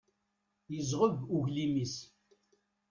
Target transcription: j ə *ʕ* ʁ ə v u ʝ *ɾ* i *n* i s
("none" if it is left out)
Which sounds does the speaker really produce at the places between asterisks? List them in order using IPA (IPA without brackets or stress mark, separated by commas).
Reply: z, l, m